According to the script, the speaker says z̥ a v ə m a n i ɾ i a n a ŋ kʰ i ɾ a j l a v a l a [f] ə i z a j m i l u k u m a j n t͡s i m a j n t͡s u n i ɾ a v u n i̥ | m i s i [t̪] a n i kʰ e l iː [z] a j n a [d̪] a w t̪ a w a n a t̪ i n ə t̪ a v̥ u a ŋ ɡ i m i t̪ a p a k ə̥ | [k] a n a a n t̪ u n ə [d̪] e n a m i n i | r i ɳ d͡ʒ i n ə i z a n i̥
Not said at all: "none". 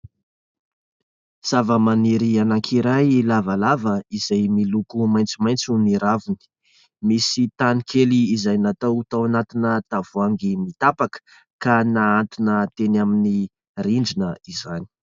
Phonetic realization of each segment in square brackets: v, t̪, z, t̪, k, t̪

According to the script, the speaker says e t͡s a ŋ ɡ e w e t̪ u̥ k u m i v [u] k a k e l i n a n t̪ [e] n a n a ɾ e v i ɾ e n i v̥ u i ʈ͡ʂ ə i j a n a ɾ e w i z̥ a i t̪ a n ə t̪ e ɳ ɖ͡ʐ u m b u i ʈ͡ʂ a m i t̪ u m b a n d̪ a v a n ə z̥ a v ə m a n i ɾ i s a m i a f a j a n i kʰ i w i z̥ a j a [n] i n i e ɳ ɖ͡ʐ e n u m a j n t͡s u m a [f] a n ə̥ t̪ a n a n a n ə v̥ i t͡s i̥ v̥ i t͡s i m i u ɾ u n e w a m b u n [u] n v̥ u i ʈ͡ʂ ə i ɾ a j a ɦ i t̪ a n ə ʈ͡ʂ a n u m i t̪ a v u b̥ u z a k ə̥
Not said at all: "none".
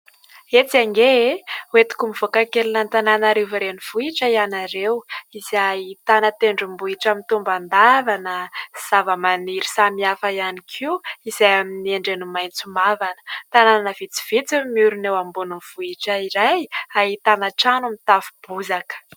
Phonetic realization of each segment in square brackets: o, a, m, v, u

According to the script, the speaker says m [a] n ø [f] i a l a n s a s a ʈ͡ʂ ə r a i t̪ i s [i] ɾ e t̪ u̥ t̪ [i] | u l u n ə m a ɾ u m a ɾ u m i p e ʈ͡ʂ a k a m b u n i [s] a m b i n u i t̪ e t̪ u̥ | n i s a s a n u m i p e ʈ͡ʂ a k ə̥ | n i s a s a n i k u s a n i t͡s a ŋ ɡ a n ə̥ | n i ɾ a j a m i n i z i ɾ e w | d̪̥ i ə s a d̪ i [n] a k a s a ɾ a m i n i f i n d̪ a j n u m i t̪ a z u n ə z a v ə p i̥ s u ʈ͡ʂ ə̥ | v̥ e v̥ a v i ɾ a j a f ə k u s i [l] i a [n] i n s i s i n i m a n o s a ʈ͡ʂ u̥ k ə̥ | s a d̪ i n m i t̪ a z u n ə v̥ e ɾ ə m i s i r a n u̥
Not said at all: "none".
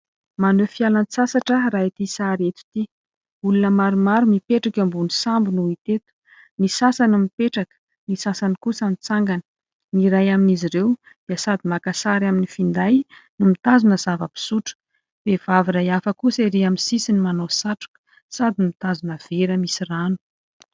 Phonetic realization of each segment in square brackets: a, f, a, i, s, m, ɾ, m

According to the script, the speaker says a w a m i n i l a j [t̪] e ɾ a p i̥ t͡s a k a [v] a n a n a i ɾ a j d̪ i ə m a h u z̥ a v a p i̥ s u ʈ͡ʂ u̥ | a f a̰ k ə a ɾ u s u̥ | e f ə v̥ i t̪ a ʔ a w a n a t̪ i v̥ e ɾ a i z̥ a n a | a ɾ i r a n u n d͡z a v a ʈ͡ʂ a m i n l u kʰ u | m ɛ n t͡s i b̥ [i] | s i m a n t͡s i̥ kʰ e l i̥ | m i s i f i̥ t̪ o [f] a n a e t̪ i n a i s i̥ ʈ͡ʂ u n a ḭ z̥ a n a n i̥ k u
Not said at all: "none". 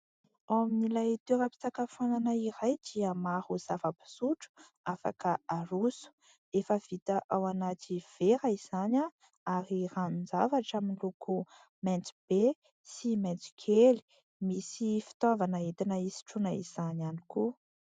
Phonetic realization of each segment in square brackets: t̪, f, e, v

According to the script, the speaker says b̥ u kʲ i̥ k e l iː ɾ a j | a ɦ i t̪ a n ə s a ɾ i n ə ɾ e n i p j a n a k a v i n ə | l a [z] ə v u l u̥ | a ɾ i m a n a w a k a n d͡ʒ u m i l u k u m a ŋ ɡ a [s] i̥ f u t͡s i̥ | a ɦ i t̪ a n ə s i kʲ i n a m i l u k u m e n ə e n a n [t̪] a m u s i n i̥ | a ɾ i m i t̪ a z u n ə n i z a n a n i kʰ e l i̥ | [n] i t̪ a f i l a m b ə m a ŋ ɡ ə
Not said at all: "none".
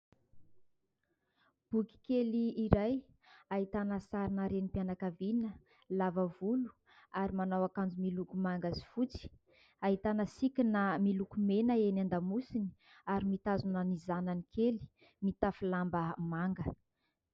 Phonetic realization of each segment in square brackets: v, z, d̪, m

